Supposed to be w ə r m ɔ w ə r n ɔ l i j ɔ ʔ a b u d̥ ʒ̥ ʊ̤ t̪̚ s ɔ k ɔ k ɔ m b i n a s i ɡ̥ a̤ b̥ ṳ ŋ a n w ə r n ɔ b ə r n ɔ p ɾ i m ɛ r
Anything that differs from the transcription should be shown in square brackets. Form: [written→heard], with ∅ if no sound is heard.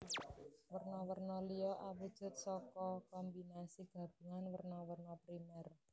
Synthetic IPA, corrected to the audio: w ə r [m→n] ɔ w ə r n ɔ l i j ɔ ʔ a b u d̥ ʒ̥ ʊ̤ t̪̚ s ɔ k ɔ k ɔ m b i n a s i ɡ̥ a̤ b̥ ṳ ŋ a n w ə r n ɔ [b→w] ə r n ɔ p ɾ i m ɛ r